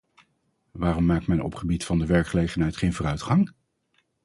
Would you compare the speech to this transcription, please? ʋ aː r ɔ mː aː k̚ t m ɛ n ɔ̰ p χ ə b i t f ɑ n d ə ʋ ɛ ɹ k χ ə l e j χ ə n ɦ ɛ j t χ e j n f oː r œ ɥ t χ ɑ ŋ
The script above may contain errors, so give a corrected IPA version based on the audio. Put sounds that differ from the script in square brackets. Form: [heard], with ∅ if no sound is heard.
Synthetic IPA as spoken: ʋ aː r ɔ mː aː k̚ t m ɛ n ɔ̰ p χ ə b i t f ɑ n d ə ʋ ɛ ɹ k χ ə l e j χ ə n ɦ ɛ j t χ e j n [v] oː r œ ɥ t χ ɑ ŋ